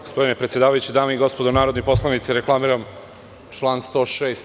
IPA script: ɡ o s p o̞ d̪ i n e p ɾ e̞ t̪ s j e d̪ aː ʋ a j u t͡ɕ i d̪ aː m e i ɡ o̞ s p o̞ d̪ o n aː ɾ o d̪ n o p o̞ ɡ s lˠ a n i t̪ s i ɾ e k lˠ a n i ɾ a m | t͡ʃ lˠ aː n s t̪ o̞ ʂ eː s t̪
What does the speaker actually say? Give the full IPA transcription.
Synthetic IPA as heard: ɡ o s p o̞ d̪ i n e p ɾ e̞ t̪ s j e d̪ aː ʋ a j u t͡ɕ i d̪ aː m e i ɡ o̞ s p o̞ d̪ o n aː ɾ o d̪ n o p o̞ s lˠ a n i t̪ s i ɾ e k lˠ a m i ɾ a m | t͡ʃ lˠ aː n s t̪ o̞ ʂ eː s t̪